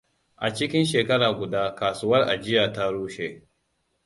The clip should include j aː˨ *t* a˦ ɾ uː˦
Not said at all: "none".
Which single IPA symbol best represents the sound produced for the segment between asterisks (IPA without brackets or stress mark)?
t